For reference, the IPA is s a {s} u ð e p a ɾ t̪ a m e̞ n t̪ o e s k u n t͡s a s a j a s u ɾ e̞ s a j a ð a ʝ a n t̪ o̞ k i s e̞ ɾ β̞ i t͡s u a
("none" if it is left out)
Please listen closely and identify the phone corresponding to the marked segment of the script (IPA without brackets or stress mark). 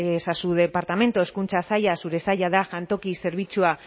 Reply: s